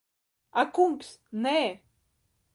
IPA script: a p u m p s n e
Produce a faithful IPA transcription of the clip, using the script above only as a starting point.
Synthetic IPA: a k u m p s n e